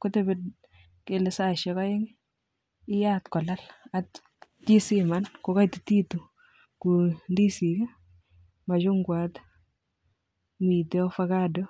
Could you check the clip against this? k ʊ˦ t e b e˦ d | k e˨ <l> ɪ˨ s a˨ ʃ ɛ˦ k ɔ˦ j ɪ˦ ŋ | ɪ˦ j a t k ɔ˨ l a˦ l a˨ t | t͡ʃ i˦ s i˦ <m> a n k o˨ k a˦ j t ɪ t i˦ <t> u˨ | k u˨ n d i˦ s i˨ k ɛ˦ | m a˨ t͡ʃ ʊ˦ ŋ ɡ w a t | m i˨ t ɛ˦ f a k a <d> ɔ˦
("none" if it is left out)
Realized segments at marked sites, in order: l, m, t, d

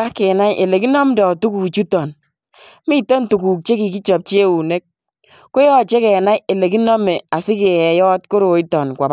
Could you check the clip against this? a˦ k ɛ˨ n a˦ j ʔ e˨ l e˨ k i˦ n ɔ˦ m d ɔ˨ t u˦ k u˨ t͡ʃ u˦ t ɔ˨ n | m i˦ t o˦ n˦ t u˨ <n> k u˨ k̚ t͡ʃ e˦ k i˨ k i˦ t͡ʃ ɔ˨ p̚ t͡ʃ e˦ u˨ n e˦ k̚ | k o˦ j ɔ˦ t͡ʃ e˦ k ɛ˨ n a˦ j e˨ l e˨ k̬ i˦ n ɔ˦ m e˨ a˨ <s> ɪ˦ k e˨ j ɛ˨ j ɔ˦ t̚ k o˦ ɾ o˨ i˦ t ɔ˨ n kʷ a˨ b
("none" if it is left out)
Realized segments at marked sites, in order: none, s

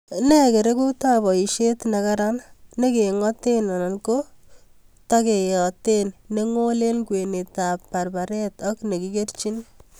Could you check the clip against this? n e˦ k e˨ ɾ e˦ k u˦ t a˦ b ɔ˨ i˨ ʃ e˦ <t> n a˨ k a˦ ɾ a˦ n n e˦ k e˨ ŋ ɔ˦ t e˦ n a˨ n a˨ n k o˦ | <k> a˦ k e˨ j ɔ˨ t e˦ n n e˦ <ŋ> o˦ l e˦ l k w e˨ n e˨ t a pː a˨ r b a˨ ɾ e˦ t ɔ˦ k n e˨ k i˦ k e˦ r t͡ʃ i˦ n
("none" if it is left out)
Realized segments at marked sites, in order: t, t, ŋ

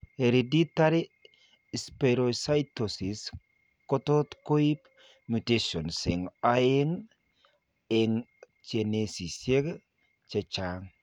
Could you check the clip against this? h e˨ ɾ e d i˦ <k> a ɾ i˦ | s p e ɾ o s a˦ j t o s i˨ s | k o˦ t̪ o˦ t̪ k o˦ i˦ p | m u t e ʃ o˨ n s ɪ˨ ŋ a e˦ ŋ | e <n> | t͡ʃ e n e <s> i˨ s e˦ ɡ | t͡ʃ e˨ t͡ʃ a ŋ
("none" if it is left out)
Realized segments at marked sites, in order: t, ŋ, s

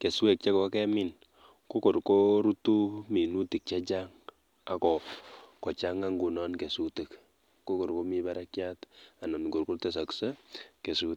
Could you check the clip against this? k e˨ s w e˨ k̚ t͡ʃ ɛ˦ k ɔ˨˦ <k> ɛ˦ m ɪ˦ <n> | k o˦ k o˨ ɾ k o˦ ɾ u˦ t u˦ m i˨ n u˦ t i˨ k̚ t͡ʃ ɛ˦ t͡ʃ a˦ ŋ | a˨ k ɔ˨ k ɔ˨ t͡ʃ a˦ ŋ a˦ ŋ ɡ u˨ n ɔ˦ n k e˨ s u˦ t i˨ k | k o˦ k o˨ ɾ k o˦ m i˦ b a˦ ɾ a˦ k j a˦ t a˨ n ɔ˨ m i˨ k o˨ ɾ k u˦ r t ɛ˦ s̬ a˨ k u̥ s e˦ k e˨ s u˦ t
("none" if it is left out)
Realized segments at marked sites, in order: k, n

